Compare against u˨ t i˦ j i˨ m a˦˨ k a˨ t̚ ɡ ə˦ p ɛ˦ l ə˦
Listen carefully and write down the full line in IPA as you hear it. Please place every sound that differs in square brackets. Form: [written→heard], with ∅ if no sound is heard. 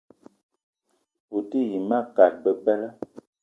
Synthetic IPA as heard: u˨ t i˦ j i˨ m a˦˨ k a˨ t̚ [ɡ→b] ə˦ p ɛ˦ l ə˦